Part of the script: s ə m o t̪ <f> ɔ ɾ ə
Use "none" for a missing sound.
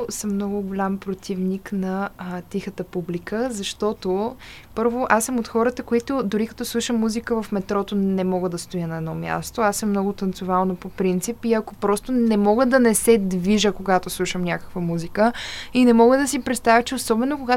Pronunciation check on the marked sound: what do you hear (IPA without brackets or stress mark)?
x